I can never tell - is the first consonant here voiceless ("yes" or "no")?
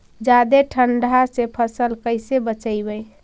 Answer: no